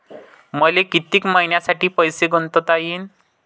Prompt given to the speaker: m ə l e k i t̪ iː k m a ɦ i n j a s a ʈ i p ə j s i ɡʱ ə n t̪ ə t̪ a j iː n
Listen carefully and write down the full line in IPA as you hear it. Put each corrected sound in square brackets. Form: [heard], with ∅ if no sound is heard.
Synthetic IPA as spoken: m ə l e k i t̪ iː k m a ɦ i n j a s a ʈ [iː] p ə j s [e] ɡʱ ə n t̪ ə t̪ a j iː n